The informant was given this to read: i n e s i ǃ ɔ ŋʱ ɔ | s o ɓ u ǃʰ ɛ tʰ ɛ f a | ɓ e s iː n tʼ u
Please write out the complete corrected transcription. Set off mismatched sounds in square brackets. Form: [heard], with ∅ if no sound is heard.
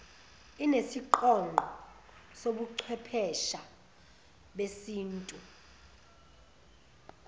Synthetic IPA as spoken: i n e s i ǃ ɔ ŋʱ ɔ | s o ɓ u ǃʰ ɛ [pʰ] ɛ [ʃ] a | ɓ e s iː n tʼ u